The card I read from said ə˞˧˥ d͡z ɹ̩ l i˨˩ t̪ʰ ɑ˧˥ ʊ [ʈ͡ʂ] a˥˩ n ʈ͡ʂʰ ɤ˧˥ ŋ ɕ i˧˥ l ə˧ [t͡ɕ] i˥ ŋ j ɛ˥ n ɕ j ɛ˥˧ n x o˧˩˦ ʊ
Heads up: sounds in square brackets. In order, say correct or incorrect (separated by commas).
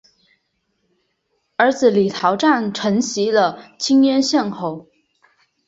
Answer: correct, incorrect